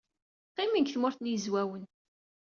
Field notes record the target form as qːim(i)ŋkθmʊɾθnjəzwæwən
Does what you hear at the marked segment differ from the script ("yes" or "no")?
no